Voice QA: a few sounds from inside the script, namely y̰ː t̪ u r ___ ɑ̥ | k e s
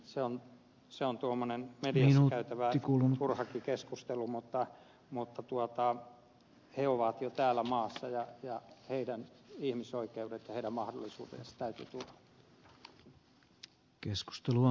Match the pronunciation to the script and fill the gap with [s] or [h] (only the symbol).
h